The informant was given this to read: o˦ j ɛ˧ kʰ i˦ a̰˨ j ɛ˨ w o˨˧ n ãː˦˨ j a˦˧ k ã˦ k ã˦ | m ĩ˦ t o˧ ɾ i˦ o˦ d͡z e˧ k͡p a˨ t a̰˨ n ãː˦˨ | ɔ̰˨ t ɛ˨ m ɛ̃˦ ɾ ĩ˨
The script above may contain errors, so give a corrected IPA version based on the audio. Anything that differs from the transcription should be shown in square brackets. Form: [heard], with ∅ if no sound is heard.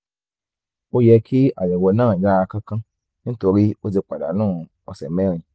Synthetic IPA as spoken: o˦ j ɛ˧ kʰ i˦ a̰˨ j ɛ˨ w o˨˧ n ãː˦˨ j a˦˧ k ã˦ k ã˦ | [n] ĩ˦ t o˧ ɾ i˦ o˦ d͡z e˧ k͡p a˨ [d] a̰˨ n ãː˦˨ | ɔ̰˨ [s] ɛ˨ m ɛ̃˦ ɾ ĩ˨